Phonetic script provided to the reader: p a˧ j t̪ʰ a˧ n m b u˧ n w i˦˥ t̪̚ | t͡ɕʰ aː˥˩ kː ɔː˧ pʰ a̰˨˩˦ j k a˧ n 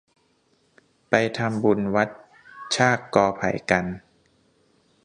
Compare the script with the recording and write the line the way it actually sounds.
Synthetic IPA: p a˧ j t̪ʰ a˧ m b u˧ n w a˦˥ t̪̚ | t͡ɕʰ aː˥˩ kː ɔː˧ pʰ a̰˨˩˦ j k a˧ n